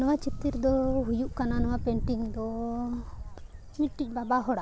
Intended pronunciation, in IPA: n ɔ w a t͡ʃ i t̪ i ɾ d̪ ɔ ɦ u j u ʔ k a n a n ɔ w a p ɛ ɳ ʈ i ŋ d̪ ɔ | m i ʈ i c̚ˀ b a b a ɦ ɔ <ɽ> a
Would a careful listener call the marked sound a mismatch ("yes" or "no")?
no